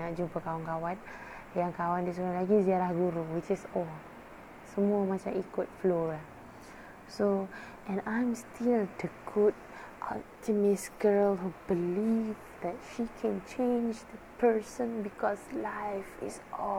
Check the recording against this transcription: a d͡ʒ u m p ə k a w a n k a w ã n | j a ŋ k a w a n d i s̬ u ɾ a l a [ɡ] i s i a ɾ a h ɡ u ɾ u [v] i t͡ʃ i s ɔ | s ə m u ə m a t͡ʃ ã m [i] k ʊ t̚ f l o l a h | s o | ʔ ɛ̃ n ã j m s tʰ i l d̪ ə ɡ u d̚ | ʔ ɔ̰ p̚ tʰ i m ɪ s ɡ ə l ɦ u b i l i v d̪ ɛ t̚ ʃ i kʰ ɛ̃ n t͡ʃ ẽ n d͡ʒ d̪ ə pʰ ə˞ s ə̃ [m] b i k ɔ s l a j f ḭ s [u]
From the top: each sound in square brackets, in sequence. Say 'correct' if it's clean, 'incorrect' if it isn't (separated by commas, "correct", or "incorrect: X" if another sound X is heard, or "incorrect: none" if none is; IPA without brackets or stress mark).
correct, incorrect: w, correct, incorrect: n, incorrect: ɔ